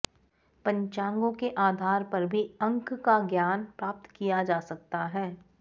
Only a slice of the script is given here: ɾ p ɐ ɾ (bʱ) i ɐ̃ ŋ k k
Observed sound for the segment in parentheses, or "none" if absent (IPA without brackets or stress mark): bʱ